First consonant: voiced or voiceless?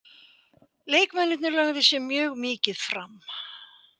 voiced